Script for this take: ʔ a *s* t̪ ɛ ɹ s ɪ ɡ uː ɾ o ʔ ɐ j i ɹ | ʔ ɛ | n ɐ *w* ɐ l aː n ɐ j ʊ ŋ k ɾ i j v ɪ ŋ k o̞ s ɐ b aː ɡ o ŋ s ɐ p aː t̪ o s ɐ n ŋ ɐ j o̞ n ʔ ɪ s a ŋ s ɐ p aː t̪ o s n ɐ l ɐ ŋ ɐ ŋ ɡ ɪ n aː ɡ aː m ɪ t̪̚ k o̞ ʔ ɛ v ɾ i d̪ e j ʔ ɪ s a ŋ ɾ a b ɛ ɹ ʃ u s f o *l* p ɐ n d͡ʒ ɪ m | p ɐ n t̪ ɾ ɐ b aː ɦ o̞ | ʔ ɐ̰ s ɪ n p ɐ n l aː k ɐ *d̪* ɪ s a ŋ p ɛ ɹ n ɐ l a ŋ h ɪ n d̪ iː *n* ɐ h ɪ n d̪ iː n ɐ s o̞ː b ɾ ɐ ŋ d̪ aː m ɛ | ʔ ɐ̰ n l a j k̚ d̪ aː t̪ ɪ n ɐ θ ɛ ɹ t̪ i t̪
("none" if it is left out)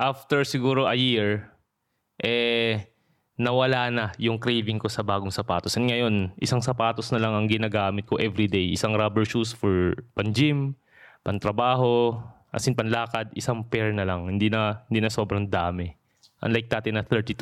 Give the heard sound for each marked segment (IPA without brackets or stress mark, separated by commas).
f, w, ɹ, d̪, n